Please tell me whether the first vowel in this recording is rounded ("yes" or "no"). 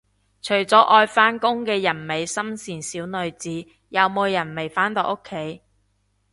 yes